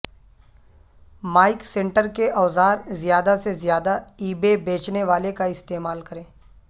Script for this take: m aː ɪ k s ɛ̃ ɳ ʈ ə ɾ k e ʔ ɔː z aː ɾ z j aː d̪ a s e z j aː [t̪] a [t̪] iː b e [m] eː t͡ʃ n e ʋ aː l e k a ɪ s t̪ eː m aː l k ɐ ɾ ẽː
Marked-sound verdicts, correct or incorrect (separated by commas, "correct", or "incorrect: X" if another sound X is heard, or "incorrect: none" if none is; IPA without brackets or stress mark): incorrect: d̪, incorrect: none, incorrect: b